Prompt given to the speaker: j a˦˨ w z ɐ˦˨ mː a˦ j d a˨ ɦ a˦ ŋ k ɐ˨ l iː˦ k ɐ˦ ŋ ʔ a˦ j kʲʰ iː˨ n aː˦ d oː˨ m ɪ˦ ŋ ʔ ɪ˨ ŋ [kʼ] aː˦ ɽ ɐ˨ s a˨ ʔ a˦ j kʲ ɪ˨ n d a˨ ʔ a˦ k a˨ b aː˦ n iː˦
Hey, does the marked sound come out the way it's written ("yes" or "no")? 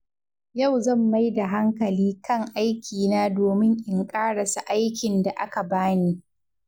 yes